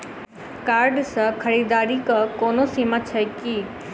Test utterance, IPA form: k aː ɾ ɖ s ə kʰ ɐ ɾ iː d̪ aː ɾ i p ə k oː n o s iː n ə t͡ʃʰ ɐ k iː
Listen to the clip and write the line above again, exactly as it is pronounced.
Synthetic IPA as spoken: k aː ɾ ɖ s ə kʰ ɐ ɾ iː d̪ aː ɾ i k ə k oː n o s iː m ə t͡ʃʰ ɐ k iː